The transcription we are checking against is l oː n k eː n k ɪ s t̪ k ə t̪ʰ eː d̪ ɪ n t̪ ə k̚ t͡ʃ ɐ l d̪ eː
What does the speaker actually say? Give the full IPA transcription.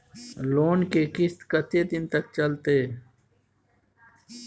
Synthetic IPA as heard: l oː n k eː k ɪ s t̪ k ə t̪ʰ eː d̪ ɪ n t̪ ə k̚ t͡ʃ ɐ l t̪ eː